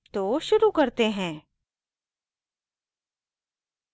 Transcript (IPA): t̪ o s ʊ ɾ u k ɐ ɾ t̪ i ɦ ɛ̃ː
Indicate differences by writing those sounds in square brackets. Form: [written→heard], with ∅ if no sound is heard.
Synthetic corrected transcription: t̪ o [s→ʃ] ʊ ɾ u k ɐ ɾ t̪ [i→e] ɦ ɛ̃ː